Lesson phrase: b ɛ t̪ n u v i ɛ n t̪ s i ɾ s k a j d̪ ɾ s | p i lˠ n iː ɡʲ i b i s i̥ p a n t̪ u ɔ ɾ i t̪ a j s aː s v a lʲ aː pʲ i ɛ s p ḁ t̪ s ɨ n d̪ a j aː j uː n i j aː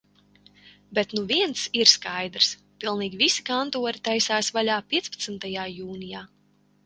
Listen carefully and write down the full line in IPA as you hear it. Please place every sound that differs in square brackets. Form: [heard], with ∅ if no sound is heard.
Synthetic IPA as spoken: b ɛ t̪ n u v i ɛ n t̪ s i ɾ s k a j d̪ ɾ s | p i lˠ n iː ɡʲ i [v] i s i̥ [k] a n t̪ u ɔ ɾ i t̪ a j s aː s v a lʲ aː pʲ i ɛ s p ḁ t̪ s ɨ n [t̪] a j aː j uː n i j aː